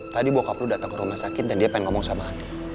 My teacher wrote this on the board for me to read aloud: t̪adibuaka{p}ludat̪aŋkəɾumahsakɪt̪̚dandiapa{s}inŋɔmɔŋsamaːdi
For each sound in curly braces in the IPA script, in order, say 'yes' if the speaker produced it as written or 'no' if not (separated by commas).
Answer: yes, no